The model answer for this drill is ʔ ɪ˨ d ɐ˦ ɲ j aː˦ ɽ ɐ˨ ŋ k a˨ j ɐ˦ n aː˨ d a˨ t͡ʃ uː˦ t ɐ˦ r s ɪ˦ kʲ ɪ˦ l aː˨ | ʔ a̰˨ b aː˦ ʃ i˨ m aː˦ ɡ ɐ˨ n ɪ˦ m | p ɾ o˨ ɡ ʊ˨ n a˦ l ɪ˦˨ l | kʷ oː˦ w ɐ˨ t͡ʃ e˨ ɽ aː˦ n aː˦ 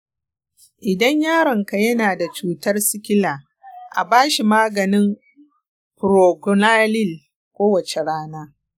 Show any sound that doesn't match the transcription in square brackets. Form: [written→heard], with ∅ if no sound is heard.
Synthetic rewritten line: ʔ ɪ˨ d ɐ˦ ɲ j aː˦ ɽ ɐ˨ ŋ k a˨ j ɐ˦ n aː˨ d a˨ t͡ʃ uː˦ t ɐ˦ r s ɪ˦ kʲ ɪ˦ l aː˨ | ʔ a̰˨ b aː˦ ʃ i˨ m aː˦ ɡ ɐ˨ n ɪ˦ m | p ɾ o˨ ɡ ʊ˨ n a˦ l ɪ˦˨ l | kʷ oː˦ w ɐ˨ t͡ʃ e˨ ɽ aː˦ n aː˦